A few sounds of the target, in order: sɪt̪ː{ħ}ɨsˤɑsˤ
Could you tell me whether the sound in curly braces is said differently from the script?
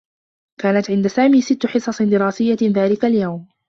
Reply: no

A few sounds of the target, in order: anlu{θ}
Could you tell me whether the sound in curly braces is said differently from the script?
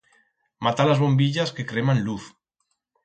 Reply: no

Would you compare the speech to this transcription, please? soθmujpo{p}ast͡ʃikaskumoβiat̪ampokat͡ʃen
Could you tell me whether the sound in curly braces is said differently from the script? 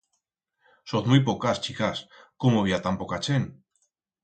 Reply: yes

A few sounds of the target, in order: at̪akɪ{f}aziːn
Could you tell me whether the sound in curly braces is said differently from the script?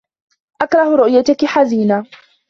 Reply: yes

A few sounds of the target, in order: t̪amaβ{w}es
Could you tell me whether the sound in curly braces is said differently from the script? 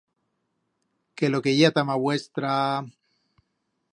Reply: no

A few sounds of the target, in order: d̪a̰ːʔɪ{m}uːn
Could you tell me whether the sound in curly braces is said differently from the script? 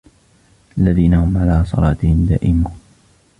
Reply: no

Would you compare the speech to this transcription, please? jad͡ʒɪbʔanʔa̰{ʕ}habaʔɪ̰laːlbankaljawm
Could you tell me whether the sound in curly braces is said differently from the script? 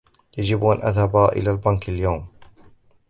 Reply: yes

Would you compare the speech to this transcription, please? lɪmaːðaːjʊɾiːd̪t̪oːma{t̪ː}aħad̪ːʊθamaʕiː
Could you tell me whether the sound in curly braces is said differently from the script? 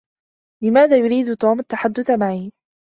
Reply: no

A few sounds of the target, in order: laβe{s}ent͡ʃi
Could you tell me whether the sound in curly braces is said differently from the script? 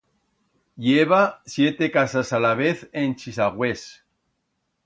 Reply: yes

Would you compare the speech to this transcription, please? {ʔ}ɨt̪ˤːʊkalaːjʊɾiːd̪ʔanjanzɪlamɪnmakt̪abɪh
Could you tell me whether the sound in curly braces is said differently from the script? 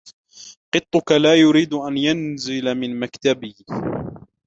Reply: yes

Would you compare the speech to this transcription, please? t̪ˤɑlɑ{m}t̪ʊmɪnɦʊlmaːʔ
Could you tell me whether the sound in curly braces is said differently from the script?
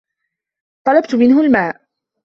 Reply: yes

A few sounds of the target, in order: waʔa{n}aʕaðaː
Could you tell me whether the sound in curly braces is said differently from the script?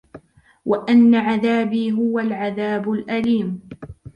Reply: yes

